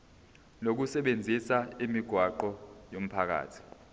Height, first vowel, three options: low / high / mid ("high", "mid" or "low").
mid